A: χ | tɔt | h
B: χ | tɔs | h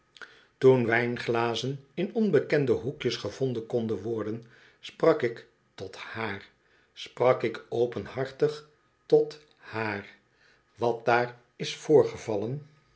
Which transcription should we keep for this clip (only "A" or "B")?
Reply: A